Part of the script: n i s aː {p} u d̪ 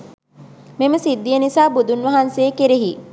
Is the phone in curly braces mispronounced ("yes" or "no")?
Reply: yes